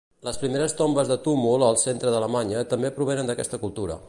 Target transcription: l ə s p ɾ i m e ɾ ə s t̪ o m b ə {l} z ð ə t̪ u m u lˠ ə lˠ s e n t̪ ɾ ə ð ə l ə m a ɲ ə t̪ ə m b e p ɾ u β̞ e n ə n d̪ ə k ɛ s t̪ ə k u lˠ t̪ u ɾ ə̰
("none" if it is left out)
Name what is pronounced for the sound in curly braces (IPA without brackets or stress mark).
none